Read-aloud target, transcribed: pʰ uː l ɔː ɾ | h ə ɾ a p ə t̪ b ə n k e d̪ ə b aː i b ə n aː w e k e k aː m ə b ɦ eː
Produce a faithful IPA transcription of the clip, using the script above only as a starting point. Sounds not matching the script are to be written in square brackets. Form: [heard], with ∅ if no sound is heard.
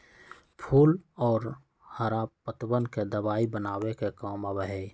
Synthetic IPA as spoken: pʰ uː l ɔː ɾ | h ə ɾ a p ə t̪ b ə n k e d̪ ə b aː i b ə n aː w e k e k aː m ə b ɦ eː